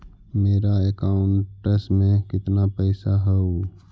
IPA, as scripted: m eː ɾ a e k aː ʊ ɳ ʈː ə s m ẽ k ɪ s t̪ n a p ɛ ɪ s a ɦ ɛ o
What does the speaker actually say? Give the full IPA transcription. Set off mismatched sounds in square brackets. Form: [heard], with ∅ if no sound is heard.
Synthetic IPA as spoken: m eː ɾ a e k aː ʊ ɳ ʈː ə s m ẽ k ɪ [∅] t̪ n a p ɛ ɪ s a ɦ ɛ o